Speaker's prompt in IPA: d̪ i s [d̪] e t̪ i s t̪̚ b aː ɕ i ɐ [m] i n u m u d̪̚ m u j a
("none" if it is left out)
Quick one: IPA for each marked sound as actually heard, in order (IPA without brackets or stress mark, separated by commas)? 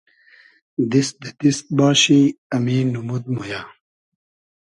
d̪, m